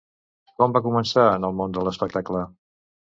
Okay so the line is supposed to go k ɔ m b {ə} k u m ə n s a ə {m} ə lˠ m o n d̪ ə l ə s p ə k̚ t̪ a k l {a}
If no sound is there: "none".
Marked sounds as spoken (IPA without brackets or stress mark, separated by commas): a, n, ə